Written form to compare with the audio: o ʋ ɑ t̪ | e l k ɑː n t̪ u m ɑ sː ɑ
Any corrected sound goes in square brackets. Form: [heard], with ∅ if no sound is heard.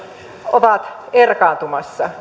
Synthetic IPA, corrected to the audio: o ʋ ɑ t̪ | e [r] k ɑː n t̪ u m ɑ sː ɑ